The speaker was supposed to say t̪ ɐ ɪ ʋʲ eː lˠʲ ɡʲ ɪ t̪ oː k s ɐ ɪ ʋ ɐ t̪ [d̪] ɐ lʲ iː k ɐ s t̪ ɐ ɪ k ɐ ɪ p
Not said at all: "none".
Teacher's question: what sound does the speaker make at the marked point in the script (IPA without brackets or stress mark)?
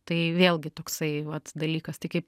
d̪